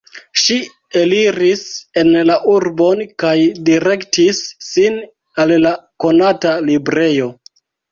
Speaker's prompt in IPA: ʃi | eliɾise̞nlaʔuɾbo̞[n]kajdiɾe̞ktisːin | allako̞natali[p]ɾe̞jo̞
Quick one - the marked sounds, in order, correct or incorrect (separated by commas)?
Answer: correct, incorrect